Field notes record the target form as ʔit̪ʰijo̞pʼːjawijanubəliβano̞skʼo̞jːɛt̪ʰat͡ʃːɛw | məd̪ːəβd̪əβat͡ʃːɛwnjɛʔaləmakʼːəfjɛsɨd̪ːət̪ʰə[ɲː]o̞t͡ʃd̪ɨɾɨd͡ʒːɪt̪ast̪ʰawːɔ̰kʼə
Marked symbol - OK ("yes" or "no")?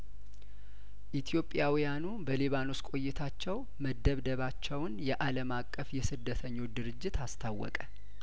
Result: yes